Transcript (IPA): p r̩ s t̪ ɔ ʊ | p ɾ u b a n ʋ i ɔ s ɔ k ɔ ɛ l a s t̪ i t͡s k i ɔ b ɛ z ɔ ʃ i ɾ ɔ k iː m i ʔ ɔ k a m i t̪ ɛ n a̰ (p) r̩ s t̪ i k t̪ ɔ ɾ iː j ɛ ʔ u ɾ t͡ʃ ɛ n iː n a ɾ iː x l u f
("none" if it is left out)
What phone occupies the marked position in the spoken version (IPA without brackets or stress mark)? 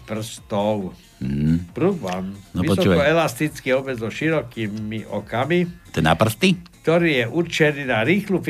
p